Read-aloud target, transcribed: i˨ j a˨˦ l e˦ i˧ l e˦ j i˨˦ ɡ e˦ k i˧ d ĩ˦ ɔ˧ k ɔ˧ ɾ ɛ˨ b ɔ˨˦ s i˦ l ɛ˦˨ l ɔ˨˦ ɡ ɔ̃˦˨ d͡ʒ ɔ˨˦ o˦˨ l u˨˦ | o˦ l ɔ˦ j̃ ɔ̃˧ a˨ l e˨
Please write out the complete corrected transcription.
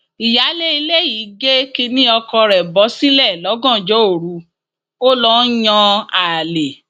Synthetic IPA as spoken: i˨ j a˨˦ l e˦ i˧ l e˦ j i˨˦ ɡ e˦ k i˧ n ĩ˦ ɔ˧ k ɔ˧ ɾ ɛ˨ b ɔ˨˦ s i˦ l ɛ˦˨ l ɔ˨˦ ɡ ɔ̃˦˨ d͡ʒ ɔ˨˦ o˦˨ ɾ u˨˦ | o˦ l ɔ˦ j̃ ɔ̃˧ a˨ l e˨